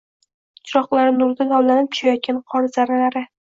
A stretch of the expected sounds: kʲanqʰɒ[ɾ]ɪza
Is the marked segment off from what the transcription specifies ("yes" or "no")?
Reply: no